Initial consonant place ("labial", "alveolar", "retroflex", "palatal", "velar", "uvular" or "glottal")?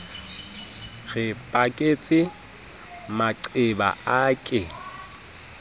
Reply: velar